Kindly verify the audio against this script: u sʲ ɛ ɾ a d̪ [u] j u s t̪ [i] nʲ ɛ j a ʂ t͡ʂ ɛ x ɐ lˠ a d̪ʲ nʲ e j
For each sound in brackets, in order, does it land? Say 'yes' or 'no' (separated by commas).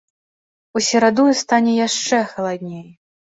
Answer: yes, no